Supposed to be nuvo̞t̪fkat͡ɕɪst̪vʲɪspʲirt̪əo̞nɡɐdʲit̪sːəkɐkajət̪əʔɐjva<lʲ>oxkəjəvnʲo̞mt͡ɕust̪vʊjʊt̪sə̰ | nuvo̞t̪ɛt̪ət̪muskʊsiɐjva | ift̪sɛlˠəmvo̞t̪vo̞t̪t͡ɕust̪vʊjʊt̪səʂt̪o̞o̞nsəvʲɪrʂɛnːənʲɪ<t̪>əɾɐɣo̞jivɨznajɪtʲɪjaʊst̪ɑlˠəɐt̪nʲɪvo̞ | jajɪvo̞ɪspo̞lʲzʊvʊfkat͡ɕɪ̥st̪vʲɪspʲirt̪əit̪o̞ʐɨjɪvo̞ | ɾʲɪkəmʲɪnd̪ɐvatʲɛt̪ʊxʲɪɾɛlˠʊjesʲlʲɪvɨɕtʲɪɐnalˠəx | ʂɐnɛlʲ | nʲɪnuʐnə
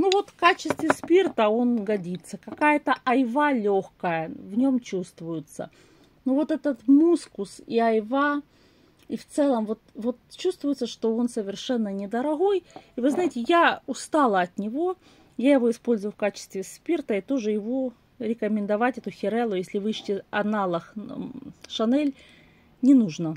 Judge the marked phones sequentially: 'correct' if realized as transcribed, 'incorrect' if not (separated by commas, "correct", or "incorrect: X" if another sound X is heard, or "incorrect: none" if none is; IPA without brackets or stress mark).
correct, incorrect: d̪